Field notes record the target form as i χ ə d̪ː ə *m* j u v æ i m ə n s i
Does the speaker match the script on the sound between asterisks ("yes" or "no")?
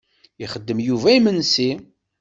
yes